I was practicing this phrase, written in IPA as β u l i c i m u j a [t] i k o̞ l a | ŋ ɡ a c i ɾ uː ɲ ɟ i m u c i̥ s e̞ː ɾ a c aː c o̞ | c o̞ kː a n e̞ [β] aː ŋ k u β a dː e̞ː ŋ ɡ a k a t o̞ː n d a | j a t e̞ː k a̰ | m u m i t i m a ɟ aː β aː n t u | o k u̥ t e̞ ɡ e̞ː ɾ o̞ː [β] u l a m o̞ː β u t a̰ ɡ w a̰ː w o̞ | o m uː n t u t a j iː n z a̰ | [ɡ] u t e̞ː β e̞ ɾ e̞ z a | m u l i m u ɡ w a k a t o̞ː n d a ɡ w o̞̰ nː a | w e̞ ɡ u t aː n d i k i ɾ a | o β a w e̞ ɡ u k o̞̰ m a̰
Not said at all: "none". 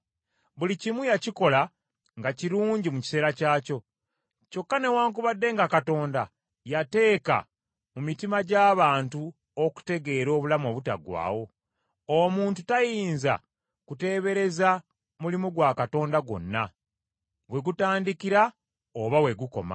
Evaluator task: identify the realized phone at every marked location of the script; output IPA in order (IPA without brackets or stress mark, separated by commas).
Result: c, w, β, k